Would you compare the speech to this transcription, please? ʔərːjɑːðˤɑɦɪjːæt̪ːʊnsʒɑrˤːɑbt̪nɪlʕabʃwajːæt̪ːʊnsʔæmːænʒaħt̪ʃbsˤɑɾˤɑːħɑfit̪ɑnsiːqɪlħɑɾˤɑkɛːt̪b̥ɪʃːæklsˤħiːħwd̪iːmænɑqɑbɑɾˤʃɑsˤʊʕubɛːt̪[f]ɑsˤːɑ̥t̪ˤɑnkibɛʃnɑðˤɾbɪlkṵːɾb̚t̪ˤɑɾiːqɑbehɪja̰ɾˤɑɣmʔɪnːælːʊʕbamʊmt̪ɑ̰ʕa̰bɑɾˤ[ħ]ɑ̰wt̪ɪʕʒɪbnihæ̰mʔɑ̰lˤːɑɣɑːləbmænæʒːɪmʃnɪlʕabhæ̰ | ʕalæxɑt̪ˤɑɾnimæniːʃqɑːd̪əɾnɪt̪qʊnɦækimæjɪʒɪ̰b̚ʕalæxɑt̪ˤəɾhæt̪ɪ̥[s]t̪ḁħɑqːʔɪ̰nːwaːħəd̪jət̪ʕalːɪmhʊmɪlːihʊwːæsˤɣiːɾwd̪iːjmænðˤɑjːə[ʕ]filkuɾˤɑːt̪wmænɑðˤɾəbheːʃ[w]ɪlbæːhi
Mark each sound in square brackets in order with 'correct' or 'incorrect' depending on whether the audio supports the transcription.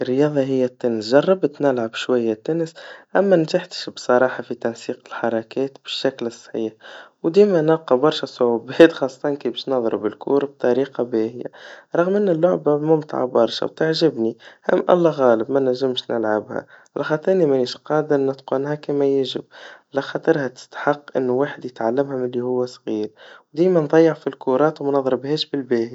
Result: incorrect: x, incorrect: ʃ, correct, correct, incorrect: b

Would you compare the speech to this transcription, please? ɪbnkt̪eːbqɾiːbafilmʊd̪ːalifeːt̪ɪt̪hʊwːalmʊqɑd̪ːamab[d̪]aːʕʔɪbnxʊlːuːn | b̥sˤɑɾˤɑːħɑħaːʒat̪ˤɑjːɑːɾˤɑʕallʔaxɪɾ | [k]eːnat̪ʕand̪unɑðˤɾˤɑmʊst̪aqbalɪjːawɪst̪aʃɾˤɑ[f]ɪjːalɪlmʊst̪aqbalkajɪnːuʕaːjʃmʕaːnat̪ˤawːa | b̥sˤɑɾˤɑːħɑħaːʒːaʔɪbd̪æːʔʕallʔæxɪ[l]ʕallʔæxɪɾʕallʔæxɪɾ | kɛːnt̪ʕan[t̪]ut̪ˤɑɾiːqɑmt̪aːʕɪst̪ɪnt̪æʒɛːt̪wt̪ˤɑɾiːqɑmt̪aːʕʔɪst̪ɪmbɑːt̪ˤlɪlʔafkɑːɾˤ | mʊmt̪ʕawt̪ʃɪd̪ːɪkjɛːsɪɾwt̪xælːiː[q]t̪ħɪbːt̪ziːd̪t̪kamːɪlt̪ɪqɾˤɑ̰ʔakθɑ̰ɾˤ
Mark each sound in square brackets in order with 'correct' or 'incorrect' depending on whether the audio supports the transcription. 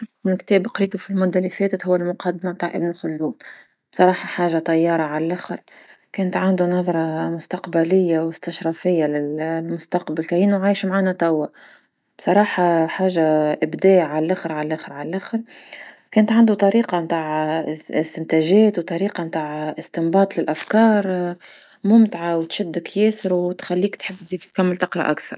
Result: incorrect: t̪, correct, correct, incorrect: ɾ, incorrect: d̪, incorrect: k

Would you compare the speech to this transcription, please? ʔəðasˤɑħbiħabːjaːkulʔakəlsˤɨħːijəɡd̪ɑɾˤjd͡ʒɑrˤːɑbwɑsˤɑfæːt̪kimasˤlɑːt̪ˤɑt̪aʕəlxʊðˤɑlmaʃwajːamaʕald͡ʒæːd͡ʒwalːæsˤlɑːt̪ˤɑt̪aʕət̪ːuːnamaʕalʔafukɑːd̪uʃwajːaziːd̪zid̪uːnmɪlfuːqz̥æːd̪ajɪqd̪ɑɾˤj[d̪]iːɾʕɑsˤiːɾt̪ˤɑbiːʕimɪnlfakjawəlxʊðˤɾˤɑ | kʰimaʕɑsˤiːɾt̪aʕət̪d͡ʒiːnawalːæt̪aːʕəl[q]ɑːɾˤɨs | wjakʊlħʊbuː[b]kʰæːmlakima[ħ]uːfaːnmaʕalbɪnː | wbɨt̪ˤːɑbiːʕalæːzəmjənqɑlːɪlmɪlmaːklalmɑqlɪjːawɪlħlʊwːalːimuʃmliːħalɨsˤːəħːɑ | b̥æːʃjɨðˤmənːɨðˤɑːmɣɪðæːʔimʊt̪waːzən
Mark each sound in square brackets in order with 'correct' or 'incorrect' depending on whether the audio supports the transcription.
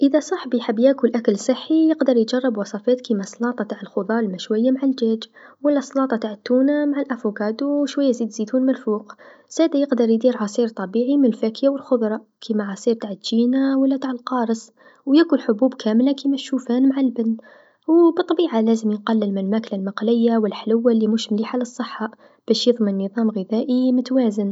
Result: correct, correct, correct, incorrect: ʃ

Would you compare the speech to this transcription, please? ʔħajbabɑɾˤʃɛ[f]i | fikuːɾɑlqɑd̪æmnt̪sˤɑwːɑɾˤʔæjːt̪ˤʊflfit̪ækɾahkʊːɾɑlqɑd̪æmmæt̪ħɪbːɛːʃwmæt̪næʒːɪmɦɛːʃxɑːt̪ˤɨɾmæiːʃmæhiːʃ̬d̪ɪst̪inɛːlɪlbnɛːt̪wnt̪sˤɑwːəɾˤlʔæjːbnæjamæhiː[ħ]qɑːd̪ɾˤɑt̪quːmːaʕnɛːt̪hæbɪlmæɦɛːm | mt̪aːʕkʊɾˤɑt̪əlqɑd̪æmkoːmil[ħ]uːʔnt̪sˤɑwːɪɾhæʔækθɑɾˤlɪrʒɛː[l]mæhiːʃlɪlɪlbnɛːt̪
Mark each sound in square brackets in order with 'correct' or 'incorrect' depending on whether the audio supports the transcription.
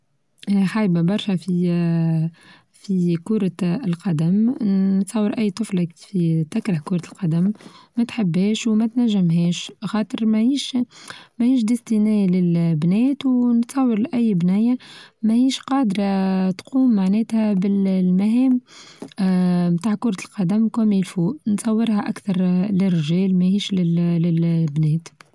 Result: correct, incorrect: ʃ, incorrect: f, correct

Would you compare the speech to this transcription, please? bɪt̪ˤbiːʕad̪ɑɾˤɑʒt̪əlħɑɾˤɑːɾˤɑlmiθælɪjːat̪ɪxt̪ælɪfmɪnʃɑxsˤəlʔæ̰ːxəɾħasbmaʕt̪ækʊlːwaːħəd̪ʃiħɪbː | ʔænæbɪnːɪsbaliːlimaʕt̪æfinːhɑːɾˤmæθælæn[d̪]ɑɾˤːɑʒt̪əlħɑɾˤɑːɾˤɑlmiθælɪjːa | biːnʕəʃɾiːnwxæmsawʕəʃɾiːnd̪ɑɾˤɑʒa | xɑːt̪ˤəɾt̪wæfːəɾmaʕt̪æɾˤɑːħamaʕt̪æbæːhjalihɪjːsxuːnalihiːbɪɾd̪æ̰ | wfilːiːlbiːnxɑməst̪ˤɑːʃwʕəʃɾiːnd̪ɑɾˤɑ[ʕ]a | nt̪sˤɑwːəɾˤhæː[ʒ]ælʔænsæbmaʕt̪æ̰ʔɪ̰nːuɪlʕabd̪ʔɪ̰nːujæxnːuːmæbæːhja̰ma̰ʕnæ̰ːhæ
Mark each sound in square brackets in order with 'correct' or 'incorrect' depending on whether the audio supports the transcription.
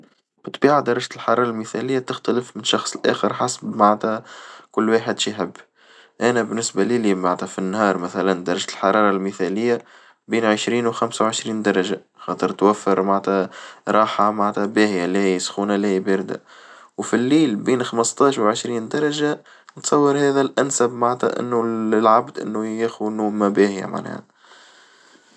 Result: correct, incorrect: ʒ, incorrect: ð

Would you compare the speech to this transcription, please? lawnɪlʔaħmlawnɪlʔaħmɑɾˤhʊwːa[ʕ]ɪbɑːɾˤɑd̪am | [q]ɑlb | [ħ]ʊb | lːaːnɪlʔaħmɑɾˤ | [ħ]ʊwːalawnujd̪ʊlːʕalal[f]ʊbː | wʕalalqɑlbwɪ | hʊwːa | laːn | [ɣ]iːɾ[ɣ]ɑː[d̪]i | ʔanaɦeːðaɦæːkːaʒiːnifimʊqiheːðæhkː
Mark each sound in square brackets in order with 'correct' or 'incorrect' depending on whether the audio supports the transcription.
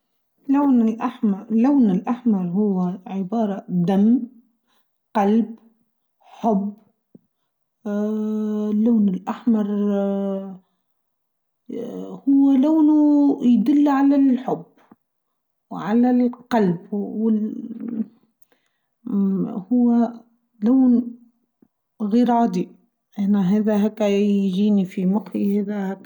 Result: correct, correct, correct, incorrect: h, incorrect: ħ, correct, incorrect: ʕ, correct

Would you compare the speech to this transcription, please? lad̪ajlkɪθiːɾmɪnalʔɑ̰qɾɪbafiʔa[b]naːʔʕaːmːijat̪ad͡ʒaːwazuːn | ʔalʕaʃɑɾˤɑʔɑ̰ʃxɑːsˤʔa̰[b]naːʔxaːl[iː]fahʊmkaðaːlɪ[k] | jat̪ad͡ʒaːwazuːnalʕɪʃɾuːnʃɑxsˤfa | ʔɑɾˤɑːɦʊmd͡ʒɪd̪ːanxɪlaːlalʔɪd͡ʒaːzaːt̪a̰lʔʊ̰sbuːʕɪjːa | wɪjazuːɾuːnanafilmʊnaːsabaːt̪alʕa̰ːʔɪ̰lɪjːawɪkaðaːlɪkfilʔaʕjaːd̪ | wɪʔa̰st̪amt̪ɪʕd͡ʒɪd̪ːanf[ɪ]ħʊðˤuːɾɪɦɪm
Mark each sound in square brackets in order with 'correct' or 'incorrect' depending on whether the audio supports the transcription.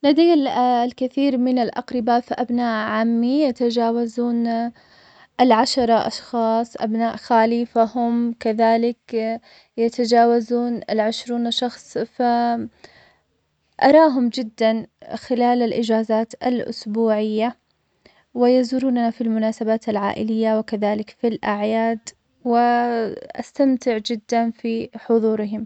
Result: correct, correct, correct, correct, incorrect: i

